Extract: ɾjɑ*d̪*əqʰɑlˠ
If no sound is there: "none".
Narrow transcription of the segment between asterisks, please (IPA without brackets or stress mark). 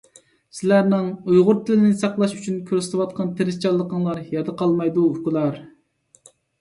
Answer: d̪